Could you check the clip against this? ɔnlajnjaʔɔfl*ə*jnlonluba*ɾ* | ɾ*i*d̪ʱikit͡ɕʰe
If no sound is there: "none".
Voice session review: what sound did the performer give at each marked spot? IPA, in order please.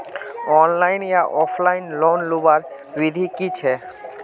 a, ɾ, i

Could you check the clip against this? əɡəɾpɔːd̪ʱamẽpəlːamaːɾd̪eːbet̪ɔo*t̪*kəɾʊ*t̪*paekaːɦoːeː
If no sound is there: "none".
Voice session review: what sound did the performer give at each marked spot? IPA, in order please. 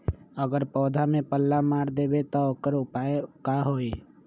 none, none

